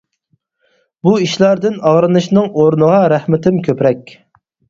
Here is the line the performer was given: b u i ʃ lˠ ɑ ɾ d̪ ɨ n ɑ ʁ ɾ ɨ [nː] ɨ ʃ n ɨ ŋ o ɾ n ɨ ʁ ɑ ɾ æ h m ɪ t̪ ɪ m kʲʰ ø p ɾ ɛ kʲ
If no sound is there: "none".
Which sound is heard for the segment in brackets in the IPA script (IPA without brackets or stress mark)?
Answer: n